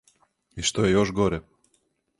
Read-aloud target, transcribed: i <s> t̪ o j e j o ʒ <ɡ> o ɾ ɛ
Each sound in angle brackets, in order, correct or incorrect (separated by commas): incorrect, correct